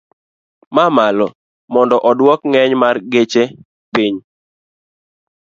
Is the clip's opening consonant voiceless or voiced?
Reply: voiced